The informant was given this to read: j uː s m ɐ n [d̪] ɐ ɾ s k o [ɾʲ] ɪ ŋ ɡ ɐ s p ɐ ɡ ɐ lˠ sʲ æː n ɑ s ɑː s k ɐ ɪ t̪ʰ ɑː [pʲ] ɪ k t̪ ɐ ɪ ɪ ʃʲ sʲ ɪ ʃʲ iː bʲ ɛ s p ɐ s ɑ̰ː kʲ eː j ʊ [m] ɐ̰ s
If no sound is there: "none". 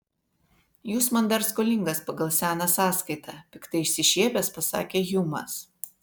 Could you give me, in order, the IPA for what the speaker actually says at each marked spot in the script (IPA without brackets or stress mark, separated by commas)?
d̪, lʲ, pʲ, m